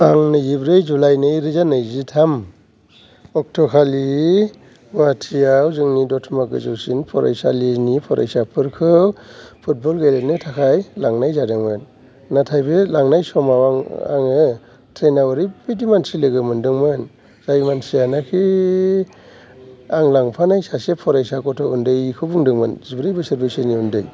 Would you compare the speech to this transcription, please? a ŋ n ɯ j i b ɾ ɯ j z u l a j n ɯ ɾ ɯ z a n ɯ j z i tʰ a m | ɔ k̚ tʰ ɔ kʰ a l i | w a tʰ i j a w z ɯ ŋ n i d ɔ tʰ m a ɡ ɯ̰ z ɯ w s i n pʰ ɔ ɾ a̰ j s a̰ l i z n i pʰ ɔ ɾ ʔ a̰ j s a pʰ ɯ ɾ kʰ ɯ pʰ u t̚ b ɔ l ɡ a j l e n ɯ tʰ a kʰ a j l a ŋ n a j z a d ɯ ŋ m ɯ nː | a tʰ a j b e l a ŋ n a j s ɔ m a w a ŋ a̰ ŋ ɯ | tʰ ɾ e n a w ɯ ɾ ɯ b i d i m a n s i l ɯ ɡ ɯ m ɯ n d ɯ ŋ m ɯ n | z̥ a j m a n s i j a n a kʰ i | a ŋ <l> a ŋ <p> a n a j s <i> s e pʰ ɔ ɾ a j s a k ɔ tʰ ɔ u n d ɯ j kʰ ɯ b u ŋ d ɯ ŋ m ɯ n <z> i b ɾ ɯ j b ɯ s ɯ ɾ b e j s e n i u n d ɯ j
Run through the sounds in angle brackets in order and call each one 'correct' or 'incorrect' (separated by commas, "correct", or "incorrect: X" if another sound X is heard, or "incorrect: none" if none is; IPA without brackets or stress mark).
correct, incorrect: pʰ, incorrect: a, correct